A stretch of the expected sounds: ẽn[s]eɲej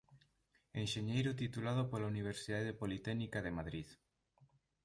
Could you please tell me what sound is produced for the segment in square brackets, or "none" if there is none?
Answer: ʃ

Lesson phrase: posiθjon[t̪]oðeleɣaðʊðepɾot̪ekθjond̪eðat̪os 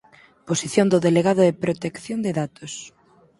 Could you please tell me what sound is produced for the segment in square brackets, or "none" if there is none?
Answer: d̪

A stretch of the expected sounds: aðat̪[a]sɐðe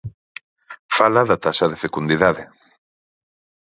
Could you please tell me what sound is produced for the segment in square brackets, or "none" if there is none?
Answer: a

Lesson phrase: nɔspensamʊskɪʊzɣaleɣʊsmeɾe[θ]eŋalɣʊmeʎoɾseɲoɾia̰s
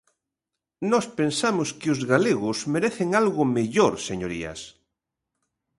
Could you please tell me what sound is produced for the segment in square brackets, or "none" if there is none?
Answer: θ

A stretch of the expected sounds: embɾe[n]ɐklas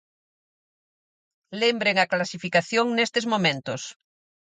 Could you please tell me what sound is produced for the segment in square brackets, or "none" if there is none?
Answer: ŋ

